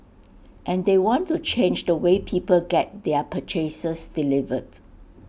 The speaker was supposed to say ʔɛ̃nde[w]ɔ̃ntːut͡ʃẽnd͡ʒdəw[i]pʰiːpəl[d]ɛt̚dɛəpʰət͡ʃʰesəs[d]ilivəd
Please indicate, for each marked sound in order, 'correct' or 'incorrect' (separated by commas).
correct, incorrect, incorrect, correct